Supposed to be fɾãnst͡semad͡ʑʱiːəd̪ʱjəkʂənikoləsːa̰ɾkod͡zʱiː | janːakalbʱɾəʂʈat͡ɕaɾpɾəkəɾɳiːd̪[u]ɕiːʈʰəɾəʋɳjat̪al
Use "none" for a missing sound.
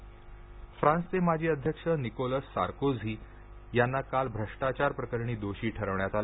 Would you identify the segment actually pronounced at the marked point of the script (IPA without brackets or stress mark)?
o